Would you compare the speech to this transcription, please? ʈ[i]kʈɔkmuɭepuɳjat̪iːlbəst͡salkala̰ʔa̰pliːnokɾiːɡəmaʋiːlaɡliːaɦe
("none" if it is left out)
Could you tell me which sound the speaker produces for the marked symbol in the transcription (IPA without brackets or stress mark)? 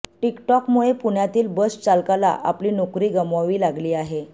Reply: i